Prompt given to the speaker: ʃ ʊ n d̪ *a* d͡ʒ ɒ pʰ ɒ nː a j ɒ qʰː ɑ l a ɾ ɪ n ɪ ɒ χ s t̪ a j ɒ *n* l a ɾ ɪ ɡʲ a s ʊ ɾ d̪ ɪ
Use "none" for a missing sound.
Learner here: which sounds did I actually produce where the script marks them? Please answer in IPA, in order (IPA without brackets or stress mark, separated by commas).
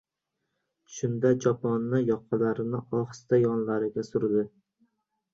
a, n